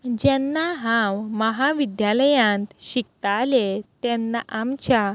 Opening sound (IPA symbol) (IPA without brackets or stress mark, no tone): d͡ʑ